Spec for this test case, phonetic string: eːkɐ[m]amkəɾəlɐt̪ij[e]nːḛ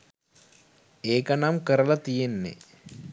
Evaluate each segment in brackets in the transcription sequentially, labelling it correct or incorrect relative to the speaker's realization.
incorrect: n, correct

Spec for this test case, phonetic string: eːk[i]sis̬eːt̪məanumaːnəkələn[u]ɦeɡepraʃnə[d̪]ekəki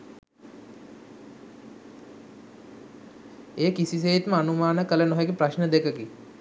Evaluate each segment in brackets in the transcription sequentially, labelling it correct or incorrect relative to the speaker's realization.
correct, incorrect: o, correct

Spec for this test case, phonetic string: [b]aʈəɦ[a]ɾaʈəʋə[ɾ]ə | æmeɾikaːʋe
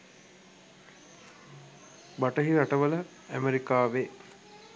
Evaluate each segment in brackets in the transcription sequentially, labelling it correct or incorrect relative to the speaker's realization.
correct, incorrect: i, incorrect: l

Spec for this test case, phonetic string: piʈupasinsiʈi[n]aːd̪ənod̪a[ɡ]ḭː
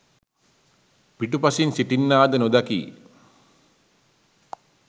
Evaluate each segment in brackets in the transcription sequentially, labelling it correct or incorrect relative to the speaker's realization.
incorrect: nː, incorrect: k

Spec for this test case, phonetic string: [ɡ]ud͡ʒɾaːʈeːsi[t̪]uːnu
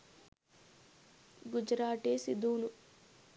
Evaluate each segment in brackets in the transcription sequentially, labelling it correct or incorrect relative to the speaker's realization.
correct, incorrect: d̪

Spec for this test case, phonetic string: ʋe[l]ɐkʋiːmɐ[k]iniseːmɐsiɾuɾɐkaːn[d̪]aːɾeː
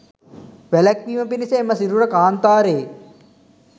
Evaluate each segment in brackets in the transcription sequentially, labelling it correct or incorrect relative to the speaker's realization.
correct, incorrect: p, incorrect: t̪

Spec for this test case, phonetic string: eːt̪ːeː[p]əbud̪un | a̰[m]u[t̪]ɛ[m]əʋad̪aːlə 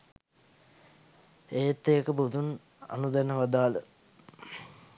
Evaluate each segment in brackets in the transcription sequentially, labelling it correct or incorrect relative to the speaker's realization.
incorrect: k, incorrect: n, incorrect: d̪, incorrect: n

